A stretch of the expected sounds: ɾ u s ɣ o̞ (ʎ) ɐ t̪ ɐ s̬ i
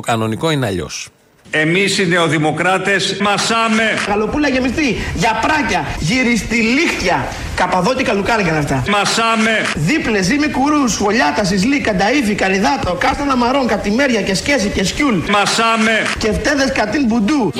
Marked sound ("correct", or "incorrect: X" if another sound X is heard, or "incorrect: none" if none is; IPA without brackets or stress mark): correct